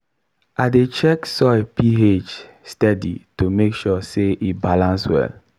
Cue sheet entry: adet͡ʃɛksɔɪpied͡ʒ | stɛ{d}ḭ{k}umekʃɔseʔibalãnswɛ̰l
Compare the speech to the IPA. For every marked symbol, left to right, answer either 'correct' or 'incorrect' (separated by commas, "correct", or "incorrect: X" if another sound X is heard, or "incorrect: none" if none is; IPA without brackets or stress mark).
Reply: correct, incorrect: t